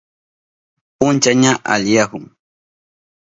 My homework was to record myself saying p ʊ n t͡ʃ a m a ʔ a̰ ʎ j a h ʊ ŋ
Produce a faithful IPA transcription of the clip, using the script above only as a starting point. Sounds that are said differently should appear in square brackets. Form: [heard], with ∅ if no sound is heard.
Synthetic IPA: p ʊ n t͡ʃ a [ɲ] a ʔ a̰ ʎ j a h ʊ ŋ

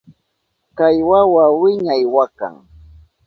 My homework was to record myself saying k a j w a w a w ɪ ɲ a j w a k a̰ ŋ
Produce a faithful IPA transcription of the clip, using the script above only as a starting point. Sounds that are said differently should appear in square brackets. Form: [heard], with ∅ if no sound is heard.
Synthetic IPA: k a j w a w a w ɪ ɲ a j w a k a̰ ŋ

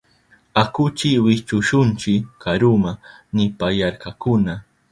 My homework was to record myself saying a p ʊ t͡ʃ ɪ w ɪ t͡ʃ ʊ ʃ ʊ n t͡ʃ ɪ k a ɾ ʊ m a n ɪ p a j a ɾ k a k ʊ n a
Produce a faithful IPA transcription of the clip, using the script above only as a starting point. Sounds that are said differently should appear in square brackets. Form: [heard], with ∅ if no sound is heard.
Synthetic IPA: a [k] ʊ t͡ʃ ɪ w ɪ t͡ʃ ʊ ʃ ʊ n t͡ʃ ɪ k a ɾ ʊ m a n ɪ p a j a ɾ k a k ʊ n a

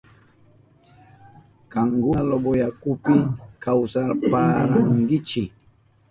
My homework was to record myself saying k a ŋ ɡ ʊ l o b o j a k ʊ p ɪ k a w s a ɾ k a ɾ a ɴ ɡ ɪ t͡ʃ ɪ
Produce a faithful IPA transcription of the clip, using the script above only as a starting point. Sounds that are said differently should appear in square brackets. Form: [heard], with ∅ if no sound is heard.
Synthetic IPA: k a ŋ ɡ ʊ l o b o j a k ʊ p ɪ k a w s a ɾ [p] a ɾ a [ŋ] ɡ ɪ t͡ʃ ɪ

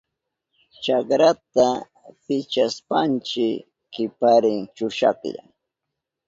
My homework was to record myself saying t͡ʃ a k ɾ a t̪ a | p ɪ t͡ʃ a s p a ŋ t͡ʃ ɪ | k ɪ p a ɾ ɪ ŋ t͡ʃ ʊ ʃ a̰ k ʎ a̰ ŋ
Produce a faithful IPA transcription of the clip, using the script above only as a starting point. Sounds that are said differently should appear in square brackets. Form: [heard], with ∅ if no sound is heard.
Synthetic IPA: t͡ʃ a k ɾ a t̪ a | p ɪ t͡ʃ a s p a [n] t͡ʃ ɪ | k ɪ p a ɾ ɪ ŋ t͡ʃ ʊ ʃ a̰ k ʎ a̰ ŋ

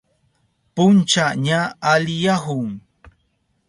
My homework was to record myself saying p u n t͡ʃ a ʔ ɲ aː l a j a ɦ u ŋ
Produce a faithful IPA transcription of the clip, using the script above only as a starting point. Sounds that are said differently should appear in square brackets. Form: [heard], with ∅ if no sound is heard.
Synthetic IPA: p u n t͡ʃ a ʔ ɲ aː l [i] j a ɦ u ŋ

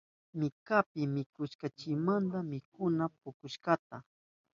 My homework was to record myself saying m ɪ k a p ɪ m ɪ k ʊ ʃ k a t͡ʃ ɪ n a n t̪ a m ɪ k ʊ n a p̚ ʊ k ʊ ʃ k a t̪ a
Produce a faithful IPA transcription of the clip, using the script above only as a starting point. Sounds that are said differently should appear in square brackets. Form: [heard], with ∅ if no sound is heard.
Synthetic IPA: m ɪ k a p ɪ m ɪ k ʊ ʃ k a t͡ʃ ɪ [m] a n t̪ a m ɪ k ʊ n a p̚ ʊ k ʊ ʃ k a t̪ a

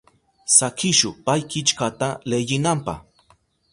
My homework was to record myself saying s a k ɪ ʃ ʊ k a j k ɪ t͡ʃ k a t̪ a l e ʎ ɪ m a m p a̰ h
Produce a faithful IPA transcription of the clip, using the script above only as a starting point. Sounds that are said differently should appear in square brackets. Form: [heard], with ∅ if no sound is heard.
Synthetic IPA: s a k ɪ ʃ ʊ [p] a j k ɪ t͡ʃ k a t̪ a l e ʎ ɪ [n] a m p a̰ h

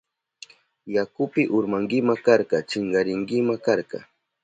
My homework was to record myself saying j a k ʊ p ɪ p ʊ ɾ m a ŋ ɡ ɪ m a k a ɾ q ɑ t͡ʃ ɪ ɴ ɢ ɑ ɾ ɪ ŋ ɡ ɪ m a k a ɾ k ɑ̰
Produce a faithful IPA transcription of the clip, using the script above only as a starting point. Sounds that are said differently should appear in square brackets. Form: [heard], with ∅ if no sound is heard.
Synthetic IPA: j a k ʊ p ɪ [ʔ] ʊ ɾ m a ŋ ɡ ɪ m a k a ɾ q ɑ t͡ʃ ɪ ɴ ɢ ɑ ɾ ɪ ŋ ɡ ɪ m a k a ɾ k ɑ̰

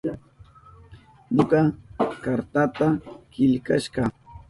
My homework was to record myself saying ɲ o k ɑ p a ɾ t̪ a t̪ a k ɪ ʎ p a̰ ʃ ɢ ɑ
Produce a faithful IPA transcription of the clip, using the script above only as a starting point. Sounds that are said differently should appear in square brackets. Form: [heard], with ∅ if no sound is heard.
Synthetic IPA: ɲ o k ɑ [k] a ɾ t̪ a t̪ a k ɪ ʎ [k] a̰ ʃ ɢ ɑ

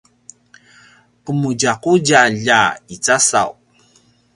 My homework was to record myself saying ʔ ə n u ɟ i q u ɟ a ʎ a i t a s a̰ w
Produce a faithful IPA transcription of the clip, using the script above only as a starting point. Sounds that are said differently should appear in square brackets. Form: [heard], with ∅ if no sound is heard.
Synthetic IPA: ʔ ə [m] u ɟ [a] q u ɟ a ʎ a i [t͡s] a s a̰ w

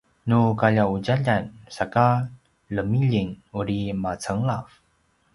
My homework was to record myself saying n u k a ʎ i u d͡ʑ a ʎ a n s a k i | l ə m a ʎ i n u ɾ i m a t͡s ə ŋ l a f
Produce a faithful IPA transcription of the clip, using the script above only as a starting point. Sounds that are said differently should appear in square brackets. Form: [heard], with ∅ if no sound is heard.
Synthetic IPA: n u k a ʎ [a] u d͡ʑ a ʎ a n s a k [a] | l ə m [i] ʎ i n u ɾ i m a t͡s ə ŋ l a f

